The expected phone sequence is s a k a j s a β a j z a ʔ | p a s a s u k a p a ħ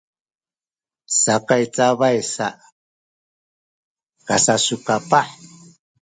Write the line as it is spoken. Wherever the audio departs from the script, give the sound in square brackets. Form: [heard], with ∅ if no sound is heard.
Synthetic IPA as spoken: s a k a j [t͡s] a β a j [s] a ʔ | [k] a s a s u k a p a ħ

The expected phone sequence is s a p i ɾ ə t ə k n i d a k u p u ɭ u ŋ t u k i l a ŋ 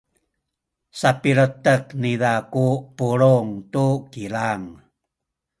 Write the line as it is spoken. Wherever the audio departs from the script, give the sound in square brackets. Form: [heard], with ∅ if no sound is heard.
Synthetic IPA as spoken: s a p i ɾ ə t ə k n i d a k u p u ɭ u ŋ t u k i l a ŋ

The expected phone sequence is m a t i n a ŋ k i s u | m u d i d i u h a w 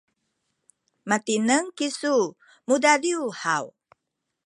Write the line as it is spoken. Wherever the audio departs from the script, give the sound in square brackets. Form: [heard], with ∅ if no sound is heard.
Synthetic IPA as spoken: m a t i n [ə] ŋ k i s u | m u d [a] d i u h a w

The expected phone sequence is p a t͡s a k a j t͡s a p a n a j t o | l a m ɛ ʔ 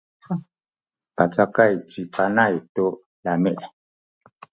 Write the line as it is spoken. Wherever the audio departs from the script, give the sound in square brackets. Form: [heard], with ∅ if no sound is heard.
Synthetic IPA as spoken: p a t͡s a k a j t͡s [i] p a n a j t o | l a m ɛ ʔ

